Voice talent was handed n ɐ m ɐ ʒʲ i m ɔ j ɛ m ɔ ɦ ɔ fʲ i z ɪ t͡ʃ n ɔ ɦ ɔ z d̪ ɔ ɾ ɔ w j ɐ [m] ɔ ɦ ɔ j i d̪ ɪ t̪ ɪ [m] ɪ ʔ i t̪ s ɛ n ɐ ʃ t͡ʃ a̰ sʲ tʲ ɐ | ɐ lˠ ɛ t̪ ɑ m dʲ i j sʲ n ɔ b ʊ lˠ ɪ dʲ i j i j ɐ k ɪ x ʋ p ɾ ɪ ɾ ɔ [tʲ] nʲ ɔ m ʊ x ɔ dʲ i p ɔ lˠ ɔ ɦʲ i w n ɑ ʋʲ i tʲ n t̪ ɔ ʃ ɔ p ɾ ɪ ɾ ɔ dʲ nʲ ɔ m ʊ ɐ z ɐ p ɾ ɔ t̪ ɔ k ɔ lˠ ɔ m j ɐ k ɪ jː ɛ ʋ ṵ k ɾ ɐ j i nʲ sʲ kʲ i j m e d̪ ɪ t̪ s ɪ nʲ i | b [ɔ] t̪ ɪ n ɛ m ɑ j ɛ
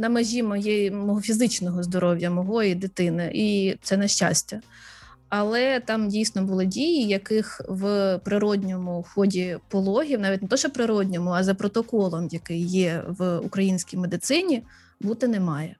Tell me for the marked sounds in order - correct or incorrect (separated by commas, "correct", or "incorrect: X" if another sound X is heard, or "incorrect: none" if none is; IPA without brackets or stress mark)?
correct, incorrect: n, incorrect: dʲ, incorrect: u